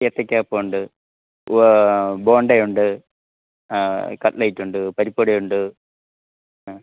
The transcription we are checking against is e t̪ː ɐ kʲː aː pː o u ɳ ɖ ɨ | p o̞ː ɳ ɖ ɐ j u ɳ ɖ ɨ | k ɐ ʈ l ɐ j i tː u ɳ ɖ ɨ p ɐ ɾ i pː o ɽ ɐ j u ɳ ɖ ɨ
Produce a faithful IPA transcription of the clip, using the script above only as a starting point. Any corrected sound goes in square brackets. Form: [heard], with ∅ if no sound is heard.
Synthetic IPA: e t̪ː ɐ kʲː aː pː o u ɳ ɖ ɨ | [b] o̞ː ɳ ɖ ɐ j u ɳ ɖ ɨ | k ɐ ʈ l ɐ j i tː u ɳ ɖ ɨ p ɐ ɾ i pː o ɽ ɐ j u ɳ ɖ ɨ